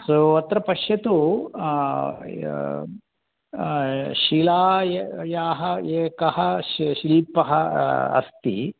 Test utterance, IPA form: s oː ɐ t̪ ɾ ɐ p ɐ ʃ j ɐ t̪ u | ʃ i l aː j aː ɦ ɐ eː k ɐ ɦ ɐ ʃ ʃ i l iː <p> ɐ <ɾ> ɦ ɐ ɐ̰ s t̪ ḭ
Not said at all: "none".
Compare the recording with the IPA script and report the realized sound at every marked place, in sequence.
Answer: p, none

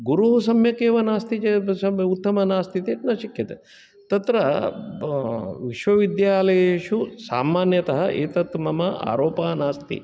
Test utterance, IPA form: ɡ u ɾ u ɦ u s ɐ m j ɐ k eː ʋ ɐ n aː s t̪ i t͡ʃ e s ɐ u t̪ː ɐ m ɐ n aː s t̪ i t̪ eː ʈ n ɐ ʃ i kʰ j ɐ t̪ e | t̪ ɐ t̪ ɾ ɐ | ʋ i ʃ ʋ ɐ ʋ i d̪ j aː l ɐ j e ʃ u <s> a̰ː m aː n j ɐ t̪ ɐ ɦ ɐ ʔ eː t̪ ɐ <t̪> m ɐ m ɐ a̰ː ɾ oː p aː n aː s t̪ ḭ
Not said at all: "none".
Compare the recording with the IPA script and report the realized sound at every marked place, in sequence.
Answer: s, t̪

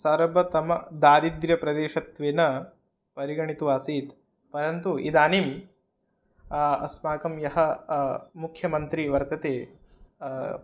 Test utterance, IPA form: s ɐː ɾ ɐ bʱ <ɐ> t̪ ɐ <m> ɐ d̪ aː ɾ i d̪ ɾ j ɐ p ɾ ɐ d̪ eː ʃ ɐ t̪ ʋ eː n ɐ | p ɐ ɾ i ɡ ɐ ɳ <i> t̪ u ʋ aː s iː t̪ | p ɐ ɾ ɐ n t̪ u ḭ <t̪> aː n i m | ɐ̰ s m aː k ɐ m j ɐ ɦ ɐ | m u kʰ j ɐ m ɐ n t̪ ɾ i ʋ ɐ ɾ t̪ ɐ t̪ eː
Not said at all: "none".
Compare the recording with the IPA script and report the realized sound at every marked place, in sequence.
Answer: ɐ, m, i, d̪

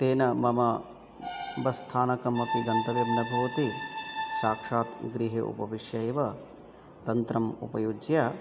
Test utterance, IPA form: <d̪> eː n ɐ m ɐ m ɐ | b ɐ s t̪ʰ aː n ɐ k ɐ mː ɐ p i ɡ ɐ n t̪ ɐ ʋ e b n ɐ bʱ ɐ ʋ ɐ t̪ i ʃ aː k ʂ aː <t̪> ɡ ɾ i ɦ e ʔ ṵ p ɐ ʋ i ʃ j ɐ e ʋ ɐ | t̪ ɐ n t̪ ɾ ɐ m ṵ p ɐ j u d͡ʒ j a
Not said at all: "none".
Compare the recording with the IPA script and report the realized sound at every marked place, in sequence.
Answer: t̪, t̪

